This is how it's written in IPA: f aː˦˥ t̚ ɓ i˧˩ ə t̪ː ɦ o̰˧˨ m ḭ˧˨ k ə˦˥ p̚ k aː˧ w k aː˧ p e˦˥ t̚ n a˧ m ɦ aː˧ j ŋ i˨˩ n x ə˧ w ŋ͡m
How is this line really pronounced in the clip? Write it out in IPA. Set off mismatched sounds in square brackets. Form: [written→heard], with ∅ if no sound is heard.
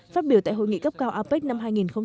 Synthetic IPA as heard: f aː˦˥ t̚ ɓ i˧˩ ə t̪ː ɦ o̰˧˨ [m→ŋ] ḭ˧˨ k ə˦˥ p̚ k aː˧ w [k→ʔ] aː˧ p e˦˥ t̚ n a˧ m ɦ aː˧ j ŋ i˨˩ n x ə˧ w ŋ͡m